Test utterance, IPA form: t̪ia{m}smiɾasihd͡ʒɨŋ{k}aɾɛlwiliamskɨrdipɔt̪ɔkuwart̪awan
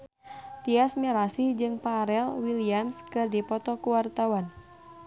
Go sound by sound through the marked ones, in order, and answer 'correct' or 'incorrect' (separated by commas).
incorrect, incorrect